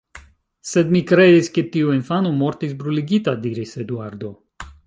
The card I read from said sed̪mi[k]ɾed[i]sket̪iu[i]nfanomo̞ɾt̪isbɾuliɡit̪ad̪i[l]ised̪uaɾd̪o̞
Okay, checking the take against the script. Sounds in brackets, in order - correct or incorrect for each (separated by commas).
correct, correct, correct, incorrect